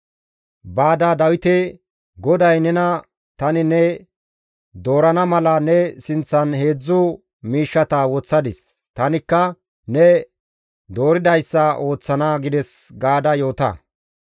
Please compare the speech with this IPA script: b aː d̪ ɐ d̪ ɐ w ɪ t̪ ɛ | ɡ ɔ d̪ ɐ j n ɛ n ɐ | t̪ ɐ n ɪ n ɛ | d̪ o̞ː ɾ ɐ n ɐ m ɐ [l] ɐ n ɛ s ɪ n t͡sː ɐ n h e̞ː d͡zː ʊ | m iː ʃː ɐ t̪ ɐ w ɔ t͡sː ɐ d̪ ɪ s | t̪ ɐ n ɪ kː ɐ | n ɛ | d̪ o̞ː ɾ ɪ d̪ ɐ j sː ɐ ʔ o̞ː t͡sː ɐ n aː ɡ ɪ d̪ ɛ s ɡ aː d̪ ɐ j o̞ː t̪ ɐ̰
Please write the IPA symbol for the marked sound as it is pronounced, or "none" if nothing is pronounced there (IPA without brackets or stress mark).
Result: l